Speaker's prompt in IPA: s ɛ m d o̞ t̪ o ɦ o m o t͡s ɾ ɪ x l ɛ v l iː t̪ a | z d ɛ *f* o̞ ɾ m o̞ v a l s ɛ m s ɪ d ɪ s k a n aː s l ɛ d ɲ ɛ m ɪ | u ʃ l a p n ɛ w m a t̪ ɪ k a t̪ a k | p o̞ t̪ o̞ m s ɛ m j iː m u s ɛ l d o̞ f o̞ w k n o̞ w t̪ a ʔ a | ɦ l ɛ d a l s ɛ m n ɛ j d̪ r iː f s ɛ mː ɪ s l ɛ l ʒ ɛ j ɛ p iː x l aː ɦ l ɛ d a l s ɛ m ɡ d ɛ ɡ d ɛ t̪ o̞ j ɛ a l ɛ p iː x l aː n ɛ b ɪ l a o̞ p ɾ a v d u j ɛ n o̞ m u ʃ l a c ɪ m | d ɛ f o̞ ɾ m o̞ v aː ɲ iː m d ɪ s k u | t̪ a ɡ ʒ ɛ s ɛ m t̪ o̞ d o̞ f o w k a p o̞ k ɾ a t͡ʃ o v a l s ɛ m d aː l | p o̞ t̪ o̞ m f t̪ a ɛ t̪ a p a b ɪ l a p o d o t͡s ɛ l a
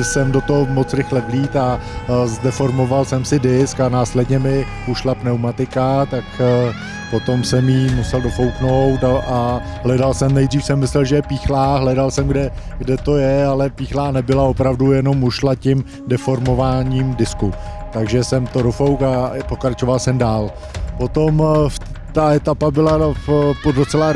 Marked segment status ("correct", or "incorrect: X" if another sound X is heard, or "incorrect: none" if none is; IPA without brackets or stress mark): correct